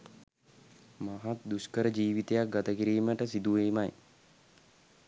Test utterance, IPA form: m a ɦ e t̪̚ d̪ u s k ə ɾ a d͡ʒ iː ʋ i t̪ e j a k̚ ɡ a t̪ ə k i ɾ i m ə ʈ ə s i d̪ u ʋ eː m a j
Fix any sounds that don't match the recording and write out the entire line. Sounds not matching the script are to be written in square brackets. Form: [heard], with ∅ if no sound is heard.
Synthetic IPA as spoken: m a ɦ [a] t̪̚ d̪ u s k ə ɾ [ə] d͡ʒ iː ʋ i t̪ e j a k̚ ɡ a t̪ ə k i ɾ [iː] m ə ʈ ə s i d̪ u ʋ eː m a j